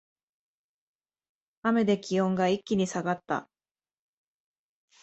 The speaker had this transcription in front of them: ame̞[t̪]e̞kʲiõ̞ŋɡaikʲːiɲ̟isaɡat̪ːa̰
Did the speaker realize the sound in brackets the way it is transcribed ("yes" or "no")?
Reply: no